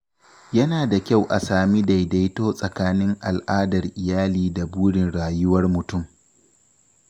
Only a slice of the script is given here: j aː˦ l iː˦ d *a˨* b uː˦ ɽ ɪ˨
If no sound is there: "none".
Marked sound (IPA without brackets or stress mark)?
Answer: a˨